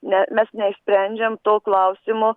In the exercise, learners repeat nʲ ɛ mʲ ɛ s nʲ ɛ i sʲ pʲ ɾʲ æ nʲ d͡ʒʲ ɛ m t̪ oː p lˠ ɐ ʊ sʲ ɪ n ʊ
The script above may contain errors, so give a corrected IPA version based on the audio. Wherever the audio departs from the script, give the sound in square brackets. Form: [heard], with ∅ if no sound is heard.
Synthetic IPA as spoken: nʲ ɛ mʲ ɛ s nʲ ɛ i sʲ pʲ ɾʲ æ nʲ d͡ʒʲ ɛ m t̪ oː [k] lˠ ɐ ʊ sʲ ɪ [m] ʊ